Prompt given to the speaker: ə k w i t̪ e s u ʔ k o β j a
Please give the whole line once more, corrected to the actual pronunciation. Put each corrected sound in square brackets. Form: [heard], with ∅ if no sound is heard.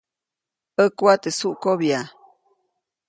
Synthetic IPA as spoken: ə k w [a] t̪ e s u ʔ k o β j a